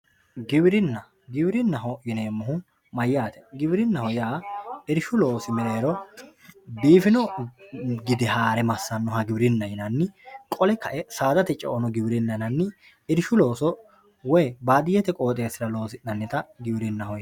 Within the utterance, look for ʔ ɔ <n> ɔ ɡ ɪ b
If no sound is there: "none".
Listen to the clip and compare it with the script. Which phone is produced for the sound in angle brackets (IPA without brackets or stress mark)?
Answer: n